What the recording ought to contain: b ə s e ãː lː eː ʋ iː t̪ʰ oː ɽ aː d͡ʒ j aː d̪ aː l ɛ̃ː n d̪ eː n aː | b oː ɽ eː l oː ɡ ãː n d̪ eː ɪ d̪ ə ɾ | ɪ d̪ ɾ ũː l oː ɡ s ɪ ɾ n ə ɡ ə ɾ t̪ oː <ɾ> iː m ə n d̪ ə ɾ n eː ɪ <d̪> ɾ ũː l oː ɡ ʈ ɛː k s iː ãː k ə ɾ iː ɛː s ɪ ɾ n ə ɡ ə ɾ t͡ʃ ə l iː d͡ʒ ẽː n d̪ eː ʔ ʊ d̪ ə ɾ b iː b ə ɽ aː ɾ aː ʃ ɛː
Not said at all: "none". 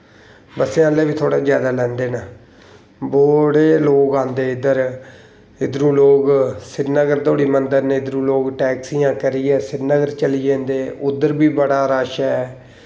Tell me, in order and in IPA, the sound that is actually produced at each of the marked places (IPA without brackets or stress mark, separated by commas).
ɽ, d̪